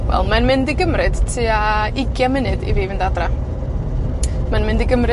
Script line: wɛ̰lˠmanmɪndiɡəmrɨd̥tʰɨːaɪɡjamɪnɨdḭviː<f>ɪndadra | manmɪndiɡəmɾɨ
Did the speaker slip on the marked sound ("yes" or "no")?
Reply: yes